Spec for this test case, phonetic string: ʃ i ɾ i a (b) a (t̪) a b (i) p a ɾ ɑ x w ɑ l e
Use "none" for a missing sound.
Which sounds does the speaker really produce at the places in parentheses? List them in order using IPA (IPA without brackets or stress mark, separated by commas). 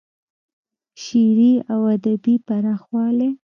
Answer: w, d̪, i